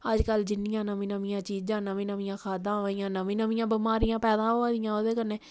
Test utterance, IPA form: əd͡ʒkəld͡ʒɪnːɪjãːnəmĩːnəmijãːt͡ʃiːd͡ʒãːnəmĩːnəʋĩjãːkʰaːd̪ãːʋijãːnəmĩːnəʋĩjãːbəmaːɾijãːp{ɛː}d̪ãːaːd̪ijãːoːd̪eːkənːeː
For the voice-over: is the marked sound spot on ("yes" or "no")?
yes